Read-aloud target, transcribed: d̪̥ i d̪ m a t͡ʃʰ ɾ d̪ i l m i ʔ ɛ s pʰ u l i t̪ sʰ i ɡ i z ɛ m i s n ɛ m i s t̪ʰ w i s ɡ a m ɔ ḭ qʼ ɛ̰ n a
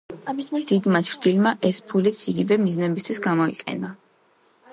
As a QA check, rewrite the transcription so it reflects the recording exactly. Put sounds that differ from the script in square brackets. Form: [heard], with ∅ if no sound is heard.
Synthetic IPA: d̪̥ i d̪ m a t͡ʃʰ ɾ d̪ i l m [a] ʔ ɛ s pʰ u l i t̪ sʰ i ɡ i [v] ɛ m i [z] n ɛ [b] i s t̪ʰ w i s ɡ a m ɔ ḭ qʼ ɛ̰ n a